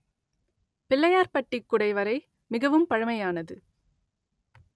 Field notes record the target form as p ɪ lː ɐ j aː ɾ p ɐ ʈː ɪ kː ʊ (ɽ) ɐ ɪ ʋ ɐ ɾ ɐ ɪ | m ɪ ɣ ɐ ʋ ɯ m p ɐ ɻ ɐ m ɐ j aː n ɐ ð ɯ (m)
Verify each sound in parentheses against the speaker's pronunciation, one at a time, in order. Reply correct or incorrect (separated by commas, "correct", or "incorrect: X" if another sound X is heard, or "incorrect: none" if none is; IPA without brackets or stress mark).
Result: correct, incorrect: none